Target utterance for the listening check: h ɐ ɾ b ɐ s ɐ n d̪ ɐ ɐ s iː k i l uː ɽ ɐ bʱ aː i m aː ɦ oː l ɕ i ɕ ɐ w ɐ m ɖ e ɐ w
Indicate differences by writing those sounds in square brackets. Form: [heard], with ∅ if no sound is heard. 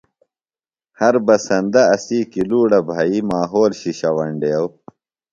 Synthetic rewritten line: h ɐ ɾ b ɐ s ɐ n d̪ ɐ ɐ s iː k i l uː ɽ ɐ bʱ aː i m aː ɦ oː l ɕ i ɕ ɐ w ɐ [ɳ] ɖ e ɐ w